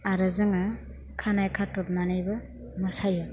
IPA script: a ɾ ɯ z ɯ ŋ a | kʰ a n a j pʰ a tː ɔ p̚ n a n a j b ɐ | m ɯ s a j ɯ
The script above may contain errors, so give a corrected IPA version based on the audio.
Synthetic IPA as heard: a ɾ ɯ z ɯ ŋ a | kʰ a n a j kʰ a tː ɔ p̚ n a n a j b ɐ | m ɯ s a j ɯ